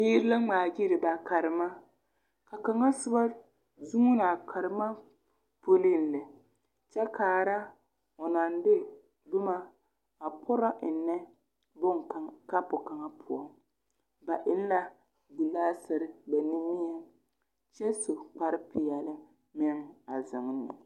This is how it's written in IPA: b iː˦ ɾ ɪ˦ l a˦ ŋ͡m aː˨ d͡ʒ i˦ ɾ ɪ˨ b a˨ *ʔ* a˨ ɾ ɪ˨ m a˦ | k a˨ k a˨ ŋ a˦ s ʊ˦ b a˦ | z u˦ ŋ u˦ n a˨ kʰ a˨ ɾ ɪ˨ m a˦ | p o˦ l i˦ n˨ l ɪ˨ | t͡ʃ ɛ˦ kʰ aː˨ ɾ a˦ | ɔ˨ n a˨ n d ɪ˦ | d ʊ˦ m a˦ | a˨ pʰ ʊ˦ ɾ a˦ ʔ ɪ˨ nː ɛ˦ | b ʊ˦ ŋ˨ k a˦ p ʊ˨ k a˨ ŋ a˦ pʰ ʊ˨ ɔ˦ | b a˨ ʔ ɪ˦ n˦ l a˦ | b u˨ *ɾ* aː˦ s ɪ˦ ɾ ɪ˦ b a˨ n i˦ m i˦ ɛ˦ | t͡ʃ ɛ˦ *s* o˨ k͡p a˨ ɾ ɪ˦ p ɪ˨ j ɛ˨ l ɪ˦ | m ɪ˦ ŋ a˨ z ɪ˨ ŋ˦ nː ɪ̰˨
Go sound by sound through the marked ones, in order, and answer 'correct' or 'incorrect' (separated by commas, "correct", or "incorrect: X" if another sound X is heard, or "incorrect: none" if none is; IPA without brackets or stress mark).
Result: incorrect: k, incorrect: l, correct